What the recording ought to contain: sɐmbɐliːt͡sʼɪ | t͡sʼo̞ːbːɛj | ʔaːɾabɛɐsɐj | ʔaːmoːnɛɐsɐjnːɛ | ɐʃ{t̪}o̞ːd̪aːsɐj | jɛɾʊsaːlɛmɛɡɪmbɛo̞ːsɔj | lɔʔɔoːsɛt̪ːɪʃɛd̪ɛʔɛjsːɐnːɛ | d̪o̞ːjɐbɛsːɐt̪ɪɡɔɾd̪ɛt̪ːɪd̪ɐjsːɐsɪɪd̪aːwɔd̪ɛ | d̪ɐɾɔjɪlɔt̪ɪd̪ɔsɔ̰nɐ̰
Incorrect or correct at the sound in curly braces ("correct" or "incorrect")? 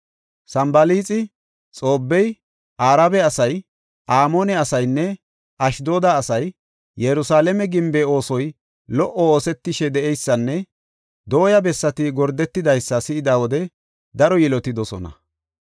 incorrect